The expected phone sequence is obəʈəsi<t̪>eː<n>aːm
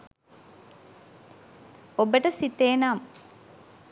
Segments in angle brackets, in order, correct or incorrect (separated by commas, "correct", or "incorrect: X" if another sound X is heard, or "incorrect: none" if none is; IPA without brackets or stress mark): correct, correct